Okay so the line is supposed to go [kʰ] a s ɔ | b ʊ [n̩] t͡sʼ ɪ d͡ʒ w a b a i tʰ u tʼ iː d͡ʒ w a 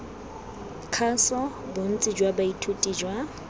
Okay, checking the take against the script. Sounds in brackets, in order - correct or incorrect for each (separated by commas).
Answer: correct, correct